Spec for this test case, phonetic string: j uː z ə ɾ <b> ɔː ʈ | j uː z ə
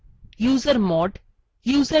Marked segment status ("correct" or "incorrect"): incorrect